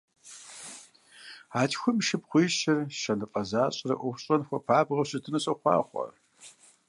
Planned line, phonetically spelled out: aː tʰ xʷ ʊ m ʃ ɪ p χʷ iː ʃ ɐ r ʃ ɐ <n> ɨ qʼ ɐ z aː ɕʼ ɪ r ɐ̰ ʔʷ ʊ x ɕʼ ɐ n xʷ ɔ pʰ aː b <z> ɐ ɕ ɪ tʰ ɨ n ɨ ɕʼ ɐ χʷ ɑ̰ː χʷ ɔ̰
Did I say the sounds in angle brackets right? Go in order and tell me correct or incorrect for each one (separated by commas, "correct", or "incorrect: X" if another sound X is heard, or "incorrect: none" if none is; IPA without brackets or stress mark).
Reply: correct, incorrect: ʁ